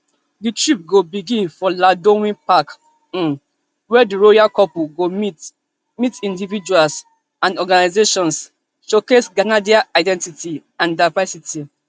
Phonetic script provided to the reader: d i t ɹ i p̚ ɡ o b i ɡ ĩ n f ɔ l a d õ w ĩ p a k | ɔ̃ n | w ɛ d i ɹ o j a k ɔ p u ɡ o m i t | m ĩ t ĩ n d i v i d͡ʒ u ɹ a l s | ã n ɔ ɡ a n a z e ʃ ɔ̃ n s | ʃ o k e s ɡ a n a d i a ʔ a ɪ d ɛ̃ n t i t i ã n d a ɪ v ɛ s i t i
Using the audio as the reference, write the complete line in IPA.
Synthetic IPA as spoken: d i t ɹ i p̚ ɡ o b i ɡ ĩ n f ɔ l a d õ w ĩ p a k | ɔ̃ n | w ɛ d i ɹ o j a k ɔ p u ɡ o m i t | m i t ĩ n d i v i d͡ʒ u a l s | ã n ɔ ɡ a n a z e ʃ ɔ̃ n s | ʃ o k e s ɡ a n a d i a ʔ a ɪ d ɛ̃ n t i t i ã n d a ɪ v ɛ s i t i